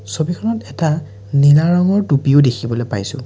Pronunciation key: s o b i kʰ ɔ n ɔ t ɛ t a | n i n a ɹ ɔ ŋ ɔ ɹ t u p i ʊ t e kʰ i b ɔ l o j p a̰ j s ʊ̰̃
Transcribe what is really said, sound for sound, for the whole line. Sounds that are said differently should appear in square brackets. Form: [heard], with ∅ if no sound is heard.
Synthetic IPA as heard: s o b i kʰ ɔ n ɔ t ɛ t a | n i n a ɹ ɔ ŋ ɔ ɹ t u p i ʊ [d] e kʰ i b ɔ l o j p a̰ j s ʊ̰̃